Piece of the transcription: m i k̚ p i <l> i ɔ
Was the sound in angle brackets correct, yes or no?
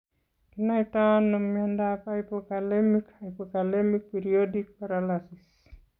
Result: no